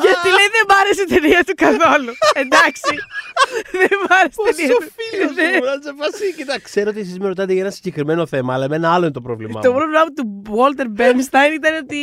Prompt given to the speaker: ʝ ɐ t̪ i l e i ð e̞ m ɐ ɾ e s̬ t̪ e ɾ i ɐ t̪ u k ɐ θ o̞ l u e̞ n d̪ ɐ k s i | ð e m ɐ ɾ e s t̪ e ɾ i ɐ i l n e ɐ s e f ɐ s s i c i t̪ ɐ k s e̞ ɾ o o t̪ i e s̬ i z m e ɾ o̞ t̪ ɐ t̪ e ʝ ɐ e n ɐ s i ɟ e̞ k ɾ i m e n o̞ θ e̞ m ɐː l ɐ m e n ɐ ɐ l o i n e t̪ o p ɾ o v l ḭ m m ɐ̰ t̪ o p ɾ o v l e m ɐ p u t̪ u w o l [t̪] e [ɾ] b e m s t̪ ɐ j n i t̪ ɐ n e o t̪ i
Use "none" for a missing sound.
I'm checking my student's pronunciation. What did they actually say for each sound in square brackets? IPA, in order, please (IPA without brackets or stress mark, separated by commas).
t̪, ɾ